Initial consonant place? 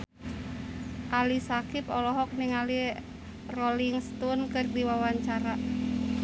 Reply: glottal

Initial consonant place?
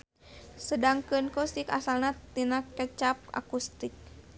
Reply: alveolar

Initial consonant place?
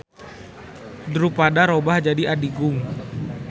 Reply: alveolar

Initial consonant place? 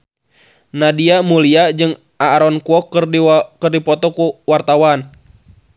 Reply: alveolar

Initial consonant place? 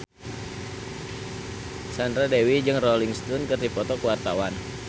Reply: alveolar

